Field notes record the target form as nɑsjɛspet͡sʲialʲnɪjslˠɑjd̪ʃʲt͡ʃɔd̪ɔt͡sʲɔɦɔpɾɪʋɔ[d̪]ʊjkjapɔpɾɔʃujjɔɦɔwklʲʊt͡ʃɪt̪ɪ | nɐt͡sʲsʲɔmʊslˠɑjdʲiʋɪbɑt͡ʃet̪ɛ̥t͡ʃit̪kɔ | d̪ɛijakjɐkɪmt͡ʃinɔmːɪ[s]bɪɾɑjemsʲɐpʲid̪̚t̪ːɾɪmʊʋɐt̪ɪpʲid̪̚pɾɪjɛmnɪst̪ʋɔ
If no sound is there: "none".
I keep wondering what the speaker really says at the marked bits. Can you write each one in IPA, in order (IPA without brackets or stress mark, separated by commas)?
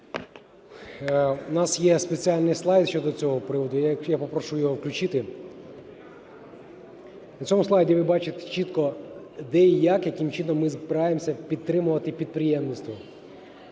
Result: d̪, z